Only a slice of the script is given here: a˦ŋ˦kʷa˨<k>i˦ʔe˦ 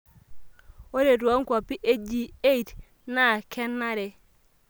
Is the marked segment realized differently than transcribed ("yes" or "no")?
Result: yes